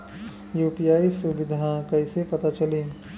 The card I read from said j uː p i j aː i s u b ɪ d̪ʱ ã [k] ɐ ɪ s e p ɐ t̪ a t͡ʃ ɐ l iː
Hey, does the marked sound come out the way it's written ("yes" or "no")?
yes